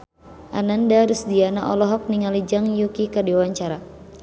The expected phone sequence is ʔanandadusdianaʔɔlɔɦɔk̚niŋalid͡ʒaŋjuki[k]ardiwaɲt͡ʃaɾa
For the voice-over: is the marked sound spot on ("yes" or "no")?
yes